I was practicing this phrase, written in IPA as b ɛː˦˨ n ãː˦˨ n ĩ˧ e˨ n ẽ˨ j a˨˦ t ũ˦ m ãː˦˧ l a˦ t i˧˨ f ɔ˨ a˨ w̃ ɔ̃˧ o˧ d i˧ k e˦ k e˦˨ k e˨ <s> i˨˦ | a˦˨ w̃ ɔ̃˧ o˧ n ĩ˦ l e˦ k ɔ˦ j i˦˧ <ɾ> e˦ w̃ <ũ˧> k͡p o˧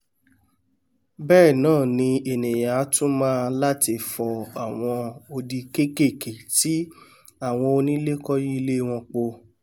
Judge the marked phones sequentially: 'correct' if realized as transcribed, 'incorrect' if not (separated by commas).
incorrect, incorrect, incorrect